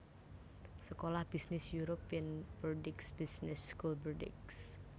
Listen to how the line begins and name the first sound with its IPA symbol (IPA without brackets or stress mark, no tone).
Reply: s